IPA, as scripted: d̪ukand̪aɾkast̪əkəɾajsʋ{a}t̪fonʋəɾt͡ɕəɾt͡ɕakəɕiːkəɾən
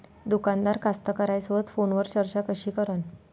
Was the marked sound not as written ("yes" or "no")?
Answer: yes